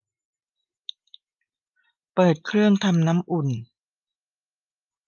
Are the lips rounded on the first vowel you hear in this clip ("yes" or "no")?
no